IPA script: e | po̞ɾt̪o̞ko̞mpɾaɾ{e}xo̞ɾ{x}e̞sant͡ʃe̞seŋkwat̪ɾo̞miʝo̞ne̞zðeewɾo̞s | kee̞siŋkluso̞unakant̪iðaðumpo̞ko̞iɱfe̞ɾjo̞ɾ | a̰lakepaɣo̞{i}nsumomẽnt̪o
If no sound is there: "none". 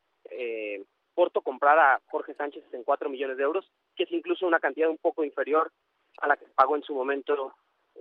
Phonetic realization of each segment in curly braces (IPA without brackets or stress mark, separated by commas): a, x, e